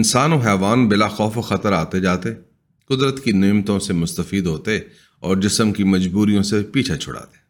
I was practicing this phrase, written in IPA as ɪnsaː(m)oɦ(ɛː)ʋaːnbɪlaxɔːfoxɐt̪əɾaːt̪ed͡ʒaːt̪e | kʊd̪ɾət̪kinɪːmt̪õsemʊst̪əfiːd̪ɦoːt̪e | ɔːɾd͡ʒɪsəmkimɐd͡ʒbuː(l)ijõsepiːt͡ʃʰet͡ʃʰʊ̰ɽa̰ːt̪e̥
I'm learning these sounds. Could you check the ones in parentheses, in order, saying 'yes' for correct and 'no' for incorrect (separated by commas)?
no, yes, no